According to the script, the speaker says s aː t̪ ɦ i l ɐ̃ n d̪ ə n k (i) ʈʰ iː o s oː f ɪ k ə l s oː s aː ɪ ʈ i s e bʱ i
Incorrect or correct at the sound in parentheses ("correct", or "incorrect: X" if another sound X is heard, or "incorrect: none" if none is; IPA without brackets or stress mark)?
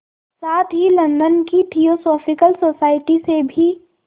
correct